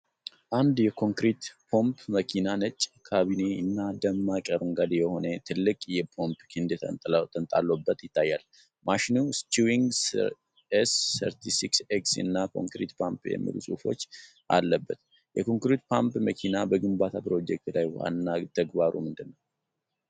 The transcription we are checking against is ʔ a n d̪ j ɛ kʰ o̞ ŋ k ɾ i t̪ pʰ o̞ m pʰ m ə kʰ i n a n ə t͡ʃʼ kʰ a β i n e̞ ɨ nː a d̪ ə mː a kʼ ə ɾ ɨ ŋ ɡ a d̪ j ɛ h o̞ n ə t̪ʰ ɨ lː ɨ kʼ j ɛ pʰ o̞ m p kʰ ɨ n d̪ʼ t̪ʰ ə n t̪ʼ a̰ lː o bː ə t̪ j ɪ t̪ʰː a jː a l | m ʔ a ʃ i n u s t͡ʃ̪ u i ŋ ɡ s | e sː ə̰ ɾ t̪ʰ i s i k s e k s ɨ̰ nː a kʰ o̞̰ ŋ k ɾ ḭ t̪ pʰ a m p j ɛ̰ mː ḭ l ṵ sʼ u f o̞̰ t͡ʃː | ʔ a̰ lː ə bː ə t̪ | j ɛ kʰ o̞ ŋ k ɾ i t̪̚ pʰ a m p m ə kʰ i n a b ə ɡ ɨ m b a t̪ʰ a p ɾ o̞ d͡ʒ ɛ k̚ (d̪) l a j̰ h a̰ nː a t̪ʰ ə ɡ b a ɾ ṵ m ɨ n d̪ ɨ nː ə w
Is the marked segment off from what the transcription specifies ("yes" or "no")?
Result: yes